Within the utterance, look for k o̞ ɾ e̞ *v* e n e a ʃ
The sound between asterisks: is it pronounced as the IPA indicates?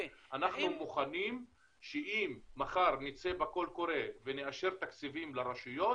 yes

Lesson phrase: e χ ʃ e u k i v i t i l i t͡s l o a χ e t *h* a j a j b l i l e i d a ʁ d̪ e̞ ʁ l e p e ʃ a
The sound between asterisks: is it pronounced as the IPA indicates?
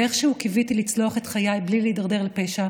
no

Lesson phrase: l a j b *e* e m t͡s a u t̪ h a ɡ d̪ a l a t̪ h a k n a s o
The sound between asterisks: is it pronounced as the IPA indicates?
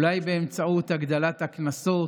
yes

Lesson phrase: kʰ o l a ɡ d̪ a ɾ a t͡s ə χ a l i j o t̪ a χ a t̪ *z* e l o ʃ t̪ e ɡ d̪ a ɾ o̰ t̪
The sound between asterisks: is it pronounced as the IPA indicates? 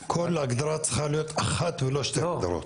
no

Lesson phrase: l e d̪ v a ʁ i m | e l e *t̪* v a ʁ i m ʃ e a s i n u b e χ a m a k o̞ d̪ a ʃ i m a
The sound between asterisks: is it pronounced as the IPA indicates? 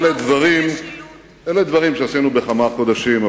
no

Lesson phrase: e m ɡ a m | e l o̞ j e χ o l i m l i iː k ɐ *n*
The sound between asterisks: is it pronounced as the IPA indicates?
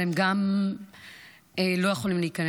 yes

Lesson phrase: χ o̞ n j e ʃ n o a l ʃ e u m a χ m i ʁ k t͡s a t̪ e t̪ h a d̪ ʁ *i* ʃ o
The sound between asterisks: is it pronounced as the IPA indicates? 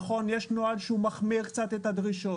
yes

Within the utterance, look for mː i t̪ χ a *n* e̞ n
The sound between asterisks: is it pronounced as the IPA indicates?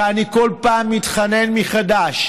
yes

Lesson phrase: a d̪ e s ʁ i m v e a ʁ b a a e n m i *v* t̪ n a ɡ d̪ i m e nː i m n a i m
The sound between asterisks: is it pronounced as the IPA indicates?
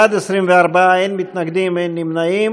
no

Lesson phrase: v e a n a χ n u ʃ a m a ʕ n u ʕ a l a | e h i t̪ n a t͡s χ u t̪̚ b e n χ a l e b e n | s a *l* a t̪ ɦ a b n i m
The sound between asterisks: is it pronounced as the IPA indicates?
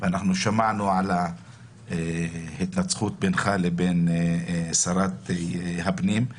no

